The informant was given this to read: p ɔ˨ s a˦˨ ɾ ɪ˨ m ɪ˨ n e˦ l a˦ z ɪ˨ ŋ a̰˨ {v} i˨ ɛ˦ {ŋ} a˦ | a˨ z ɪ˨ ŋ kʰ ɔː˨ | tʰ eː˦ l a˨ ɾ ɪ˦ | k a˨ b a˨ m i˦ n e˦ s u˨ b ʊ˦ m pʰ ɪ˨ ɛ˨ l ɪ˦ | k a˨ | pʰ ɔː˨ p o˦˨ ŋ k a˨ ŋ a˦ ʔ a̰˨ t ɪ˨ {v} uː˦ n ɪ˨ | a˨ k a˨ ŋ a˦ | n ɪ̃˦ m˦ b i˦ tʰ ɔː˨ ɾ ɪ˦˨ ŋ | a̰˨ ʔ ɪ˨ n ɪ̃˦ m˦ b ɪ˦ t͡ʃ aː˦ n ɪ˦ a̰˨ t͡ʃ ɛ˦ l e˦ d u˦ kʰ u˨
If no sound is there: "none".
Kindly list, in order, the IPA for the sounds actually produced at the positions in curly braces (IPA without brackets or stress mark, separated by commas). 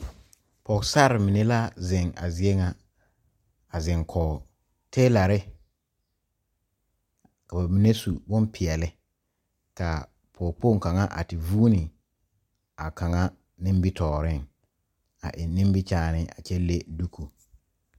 z, ŋ, v